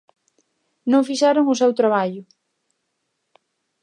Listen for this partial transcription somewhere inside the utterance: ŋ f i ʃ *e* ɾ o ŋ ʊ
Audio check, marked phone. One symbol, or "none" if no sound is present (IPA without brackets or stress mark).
a